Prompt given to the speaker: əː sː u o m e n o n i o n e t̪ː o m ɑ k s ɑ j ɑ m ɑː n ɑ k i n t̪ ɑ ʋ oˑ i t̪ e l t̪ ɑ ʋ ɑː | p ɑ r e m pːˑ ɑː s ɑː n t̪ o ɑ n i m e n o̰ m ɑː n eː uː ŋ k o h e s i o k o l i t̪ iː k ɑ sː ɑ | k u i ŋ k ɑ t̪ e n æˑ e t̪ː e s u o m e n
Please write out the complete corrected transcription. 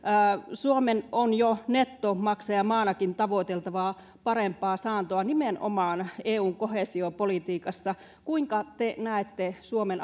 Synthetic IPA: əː s u o m e n o n j o n e t̪ː o m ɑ k s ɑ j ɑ m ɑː n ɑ k i n t̪ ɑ ʋ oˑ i t̪ e l t̪ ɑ ʋ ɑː | p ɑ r e m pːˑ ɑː s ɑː n t̪ o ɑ n i m e n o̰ m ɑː n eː uː ŋ k o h e s i o p o l i t̪ iː k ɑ sː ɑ | k u i ŋ k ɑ t̪ e n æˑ e t̪ː e s u o m e n